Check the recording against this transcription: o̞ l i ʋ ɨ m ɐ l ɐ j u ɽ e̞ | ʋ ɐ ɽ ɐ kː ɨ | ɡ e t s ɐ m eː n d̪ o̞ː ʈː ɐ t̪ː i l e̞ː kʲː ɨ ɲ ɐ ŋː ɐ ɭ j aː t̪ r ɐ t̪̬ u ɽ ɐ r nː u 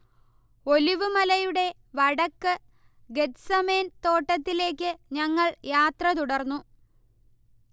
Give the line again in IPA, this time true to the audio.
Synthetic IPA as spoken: o̞ l i ʋ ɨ m ɐ l ɐ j u ɽ e̞ | ʋ ɐ ɽ ɐ kː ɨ | ɡ e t s ɐ m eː n t̪ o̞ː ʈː ɐ t̪ː i l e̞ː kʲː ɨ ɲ ɐ ŋː ɐ ɭ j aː t̪ r ɐ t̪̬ u ɽ ɐ r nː u